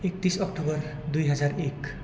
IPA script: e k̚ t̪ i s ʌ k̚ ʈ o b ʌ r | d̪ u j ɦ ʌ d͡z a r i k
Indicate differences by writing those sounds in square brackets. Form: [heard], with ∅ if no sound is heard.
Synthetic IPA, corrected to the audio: e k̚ t̪ i s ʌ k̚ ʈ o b ʌ r | d̪ u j ɦ ʌ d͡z a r [e] k

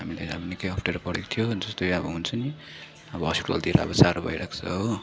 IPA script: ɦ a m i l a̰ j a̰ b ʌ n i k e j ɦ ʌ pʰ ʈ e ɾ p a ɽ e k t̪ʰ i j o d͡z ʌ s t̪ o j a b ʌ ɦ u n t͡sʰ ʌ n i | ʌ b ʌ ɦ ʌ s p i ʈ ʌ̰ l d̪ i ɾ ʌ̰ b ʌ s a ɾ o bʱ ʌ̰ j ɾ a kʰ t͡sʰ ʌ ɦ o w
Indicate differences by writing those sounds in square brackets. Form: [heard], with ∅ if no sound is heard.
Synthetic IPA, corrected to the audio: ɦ a m i l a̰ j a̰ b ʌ n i k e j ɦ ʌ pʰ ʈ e ɾ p [ʌ] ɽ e k t̪ʰ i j o d͡z ʌ s t̪ o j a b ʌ ɦ u n t͡sʰ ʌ n i | ʌ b ʌ ɦ ʌ s p i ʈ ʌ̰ l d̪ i ɾ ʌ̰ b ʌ s a ɾ o bʱ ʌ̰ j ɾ a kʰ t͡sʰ ʌ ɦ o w

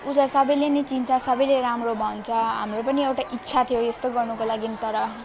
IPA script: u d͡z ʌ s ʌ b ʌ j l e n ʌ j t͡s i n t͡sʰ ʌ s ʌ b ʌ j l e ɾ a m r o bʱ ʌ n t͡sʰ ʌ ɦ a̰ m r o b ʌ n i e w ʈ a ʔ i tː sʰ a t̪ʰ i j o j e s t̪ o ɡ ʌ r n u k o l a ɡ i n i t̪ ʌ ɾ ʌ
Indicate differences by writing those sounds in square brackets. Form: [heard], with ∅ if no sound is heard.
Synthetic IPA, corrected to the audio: u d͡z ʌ s ʌ b ʌ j l e n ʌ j t͡s i n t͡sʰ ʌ s ʌ b ʌ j l e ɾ a m r o bʱ ʌ n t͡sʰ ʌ ɦ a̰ m r o [p] ʌ n i e w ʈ a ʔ i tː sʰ a t̪ʰ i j o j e s t̪ o ɡ ʌ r n u k o l a ɡ i n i t̪ ʌ ɾ ʌ

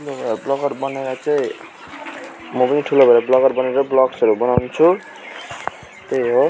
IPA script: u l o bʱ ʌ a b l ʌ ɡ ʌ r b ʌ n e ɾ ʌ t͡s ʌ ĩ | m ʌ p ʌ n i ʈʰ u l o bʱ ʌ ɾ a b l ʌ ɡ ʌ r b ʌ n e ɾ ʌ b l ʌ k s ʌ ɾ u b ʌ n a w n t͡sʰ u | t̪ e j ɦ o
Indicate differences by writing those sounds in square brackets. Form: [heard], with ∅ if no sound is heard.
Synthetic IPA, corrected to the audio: u l o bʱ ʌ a b l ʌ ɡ ʌ r b ʌ n e ɾ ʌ t͡s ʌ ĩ | m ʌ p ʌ n i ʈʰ u l o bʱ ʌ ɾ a b l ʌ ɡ ʌ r b ʌ n e ɾ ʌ b l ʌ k s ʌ ɾ u b ʌ n a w n t͡sʰ u | t̪ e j ɦ o

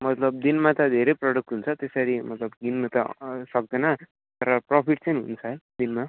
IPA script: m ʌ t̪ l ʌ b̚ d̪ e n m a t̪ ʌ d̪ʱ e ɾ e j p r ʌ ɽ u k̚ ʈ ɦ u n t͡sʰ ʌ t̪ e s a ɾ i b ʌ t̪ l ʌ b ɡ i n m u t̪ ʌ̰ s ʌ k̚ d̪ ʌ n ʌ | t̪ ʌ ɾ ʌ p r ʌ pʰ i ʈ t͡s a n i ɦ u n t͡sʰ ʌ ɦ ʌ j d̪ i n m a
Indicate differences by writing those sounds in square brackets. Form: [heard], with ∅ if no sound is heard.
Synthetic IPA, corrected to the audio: m ʌ t̪ l ʌ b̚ d̪ [i] n m a t̪ ʌ d̪ʱ e ɾ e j p r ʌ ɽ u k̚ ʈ ɦ u n t͡sʰ ʌ t̪ e s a ɾ i [m] ʌ t̪ l ʌ b ɡ i n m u t̪ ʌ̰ s ʌ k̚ d̪ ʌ n ʌ | t̪ ʌ ɾ ʌ p r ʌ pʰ i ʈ t͡s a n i ɦ u n t͡sʰ ʌ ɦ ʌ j d̪ i n m a

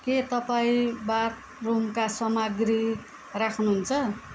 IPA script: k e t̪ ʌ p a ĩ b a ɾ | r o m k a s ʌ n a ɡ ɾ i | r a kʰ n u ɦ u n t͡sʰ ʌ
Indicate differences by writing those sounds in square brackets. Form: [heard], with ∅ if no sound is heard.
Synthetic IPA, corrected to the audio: k e t̪ ʌ p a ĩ b a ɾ | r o m k a s ʌ [m] a ɡ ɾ i | r a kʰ n u ɦ u n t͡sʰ ʌ

